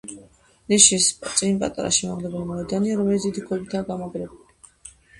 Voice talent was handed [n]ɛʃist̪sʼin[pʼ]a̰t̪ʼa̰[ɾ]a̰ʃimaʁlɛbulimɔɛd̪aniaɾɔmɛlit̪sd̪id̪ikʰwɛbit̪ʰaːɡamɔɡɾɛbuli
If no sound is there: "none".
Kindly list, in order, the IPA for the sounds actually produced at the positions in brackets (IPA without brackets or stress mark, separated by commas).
n, pʼ, ɾ